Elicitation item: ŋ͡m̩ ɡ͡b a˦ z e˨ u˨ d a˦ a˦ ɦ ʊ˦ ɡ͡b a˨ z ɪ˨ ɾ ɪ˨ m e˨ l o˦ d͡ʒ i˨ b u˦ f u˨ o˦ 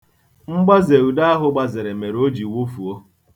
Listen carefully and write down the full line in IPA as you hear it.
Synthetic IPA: ŋ͡m̩ ɡ͡b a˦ z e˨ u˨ d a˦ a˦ ɦ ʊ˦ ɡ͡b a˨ z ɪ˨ ɾ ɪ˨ m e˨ ɾ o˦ d͡ʒ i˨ w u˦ f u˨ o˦